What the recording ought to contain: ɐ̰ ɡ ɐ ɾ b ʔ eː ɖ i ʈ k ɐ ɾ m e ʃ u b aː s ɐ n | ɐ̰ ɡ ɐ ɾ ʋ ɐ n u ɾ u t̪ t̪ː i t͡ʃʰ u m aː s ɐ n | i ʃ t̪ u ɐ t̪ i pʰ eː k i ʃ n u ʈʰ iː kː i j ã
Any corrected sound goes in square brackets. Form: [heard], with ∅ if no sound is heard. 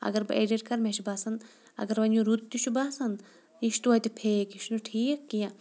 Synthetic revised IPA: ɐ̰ ɡ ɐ ɾ b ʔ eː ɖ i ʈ k ɐ ɾ m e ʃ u b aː s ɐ n | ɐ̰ ɡ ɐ ɾ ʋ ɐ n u ɾ u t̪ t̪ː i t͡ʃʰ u [b] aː s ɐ n | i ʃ t̪ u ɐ t̪ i pʰ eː k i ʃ n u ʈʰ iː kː i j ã